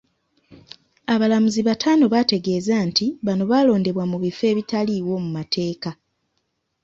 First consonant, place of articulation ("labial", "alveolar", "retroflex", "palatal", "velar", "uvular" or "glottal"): labial